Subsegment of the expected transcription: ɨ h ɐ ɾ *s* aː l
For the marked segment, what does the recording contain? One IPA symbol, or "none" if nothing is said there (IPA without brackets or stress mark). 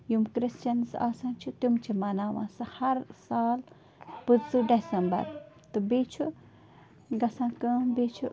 s